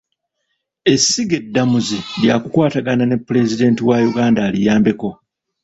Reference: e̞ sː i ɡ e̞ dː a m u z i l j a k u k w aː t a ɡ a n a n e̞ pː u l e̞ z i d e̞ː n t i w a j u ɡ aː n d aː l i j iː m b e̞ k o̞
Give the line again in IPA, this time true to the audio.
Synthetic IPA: e̞ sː i ɡ e̞ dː a m u z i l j a k u k w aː t a ɡ a n a n e̞ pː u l e̞ z i d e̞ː n t i w a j u ɡ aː n d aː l i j aː m b e̞ k o̞